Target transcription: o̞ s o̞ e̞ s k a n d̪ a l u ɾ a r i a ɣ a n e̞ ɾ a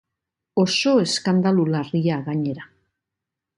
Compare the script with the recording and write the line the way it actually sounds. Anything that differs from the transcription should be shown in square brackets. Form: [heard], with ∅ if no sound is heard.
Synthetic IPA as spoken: o̞ s o̞ e̞ s k a n d̪ a l u [l] a r i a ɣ a [ɲ] e̞ ɾ a